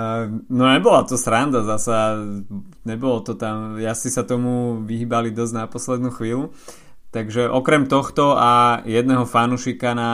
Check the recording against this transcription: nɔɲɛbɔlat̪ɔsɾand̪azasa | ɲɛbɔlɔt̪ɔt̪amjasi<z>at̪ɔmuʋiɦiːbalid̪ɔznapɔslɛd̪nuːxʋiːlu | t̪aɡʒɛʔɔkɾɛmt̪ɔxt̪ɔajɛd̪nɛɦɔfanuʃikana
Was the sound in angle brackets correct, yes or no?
no